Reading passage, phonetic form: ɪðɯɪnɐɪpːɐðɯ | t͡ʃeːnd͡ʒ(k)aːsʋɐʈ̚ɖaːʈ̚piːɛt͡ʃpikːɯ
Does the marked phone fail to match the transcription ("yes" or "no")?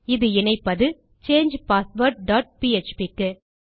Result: yes